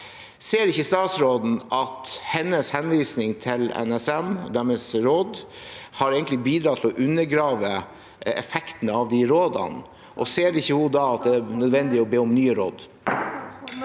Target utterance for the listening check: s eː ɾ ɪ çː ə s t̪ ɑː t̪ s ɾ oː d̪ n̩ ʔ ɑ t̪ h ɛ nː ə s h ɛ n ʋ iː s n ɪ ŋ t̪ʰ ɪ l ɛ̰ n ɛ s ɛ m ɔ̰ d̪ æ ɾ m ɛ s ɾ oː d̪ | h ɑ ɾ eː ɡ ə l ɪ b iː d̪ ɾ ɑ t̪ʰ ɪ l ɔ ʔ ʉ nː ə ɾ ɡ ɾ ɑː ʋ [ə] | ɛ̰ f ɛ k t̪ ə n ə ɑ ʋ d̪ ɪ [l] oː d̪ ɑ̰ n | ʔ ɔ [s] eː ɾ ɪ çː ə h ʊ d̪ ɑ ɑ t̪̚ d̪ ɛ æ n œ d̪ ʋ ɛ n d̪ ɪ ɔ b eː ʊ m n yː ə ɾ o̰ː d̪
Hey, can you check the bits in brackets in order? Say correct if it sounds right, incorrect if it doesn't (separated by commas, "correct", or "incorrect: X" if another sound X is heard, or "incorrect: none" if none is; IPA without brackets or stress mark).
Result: correct, incorrect: ɾ, correct